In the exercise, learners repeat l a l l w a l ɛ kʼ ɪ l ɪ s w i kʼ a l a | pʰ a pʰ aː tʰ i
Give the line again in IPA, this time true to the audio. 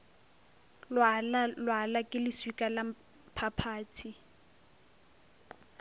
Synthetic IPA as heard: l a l l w a l a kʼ ɪ l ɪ s w i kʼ a l a | pʰ a pʰ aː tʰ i

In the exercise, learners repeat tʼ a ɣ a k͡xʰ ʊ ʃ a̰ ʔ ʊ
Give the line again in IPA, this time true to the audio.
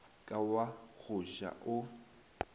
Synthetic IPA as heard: kʼ a w a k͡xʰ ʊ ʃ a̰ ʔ ʊ

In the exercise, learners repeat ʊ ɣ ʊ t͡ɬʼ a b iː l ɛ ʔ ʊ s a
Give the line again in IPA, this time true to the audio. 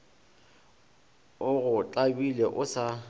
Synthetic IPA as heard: ʊ ɣ ʊ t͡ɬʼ a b i l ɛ ʔ ʊ s a

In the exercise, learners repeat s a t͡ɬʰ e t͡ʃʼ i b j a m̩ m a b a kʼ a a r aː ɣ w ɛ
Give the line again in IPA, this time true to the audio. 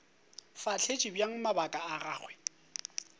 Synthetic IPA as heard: f a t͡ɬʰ e t͡ʃʼ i b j a ŋ̩ m a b a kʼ a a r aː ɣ w ɛ

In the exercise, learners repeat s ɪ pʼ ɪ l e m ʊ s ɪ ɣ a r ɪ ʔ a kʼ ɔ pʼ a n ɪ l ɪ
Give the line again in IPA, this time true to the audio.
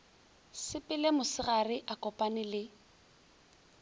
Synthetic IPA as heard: s ɪ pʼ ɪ l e m ʊ s ɪ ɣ a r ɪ ʔ a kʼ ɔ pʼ a n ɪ l ɪ

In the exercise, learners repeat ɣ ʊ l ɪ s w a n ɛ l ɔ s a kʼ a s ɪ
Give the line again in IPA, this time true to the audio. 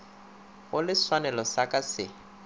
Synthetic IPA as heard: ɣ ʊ l ɪ s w a n ɛ l ɔ s a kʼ a s ɪ

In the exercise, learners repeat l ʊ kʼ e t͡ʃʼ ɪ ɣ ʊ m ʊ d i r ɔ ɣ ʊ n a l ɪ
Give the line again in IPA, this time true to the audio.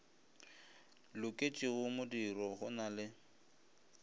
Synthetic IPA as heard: l ʊ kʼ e t͡ʃʼ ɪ ɣ ʊ m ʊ d i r ɔ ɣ ʊ n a l ɪ

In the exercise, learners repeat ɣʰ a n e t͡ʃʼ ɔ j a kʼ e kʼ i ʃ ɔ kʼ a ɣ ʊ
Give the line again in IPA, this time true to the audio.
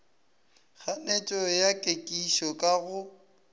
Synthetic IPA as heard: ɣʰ a n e t͡ʃʼ ɔ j a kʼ e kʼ i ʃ ɔ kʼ a ɣ ʊ

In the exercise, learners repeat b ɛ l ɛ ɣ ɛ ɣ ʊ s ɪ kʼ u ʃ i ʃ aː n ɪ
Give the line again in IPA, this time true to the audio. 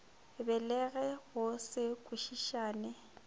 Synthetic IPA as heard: b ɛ l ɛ ɣ ɛ ɣ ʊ s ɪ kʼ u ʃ i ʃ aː n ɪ

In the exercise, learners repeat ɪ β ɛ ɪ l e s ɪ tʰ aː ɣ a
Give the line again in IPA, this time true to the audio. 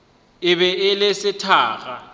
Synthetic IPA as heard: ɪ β ɛ ɪ l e s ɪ tʰ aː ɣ a

